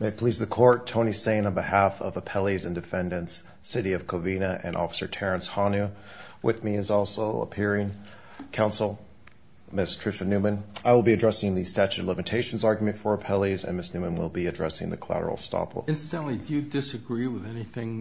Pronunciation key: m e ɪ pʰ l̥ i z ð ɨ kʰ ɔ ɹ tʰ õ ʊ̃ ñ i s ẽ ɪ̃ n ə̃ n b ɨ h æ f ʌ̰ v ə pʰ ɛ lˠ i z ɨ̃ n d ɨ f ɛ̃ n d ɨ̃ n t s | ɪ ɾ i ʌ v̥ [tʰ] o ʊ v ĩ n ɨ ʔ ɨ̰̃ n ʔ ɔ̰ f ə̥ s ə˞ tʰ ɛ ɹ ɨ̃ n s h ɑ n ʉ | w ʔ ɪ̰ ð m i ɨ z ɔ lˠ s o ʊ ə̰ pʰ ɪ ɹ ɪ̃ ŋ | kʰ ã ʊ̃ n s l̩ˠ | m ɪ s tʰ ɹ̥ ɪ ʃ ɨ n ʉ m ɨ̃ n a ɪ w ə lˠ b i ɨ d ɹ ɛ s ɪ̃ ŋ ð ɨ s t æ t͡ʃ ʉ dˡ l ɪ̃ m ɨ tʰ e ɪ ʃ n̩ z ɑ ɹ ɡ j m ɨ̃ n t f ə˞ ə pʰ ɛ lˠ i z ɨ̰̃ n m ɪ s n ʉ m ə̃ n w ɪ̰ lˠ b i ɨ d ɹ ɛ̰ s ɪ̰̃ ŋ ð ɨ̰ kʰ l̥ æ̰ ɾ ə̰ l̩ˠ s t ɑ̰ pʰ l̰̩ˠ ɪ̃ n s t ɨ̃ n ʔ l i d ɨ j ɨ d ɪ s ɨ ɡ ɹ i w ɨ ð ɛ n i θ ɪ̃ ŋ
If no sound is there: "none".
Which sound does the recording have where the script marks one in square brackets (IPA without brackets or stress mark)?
kʰ